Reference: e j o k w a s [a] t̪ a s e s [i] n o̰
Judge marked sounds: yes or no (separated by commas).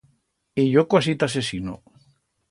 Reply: no, yes